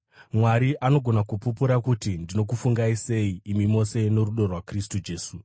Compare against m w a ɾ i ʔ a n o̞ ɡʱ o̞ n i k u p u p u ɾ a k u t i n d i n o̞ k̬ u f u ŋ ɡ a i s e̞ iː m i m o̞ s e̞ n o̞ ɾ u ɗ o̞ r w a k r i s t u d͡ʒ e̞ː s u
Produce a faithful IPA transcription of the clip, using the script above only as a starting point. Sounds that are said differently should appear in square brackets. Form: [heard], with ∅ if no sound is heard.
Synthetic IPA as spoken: m w a ɾ i ʔ a n o̞ ɡʱ o̞ n [a] k u p u p u ɾ a k u t i n d i n o̞ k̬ u f u ŋ ɡ a i s e̞ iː m i m o̞ s e̞ n o̞ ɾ u ɗ o̞ r w a k r i s t u d͡ʒ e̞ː s u